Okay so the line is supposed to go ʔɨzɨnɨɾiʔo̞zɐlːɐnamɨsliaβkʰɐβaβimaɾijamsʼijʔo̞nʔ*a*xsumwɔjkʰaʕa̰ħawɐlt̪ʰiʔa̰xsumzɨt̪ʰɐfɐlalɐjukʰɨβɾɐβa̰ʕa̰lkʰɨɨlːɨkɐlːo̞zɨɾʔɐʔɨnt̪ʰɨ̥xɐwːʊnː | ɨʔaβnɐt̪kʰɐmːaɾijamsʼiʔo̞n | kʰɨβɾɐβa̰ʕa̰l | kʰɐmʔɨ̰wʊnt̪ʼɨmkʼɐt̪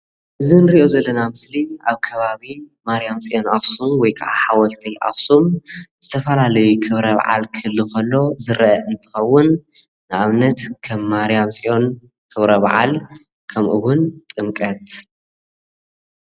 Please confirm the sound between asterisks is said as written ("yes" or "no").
yes